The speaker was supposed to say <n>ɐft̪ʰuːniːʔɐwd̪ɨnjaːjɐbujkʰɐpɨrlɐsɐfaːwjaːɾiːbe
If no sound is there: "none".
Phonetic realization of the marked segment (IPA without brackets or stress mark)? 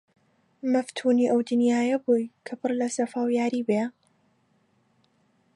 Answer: m